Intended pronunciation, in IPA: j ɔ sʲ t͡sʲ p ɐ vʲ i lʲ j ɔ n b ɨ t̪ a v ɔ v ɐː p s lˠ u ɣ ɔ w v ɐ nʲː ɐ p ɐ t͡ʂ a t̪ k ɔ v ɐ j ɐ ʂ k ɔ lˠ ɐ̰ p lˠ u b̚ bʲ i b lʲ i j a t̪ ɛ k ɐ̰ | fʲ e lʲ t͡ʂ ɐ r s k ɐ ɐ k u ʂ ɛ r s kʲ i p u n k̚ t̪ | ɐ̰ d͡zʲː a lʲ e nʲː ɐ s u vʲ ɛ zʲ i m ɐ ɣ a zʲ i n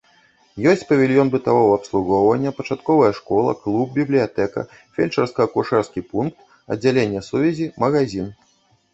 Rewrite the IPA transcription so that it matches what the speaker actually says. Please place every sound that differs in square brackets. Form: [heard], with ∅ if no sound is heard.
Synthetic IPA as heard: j ɔ sʲ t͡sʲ p ɐ vʲ i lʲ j ɔ n b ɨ t̪ a v ɔ v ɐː p s lˠ u ɣ ɔ w v ɐ nʲː ɐ p ɐ t͡ʂ a t̪ k ɔ v ɐ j ɐ ʂ k ɔ lˠ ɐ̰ [k] lˠ u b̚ bʲ i b lʲ i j a t̪ ɛ k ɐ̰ | fʲ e lʲ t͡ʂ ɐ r s k ɐ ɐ k u ʂ ɛ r s kʲ i p u n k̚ t̪ | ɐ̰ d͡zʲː a lʲ e nʲː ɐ s u vʲ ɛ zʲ i m ɐ ɣ a zʲ i n